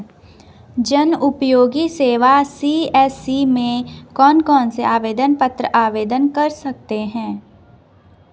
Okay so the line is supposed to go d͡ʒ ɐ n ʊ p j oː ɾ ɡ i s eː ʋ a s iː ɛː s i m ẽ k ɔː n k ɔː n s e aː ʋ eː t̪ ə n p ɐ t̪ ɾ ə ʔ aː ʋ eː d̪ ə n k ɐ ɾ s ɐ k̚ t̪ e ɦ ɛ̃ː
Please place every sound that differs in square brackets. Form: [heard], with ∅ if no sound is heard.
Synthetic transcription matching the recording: d͡ʒ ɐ n ʊ p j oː [∅] ɡ i s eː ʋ a s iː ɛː s i m ẽ k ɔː n k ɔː n s e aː ʋ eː [d̪] ə n p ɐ t̪ ɾ ə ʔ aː ʋ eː d̪ ə n k ɐ ɾ s ɐ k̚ t̪ e ɦ ɛ̃ː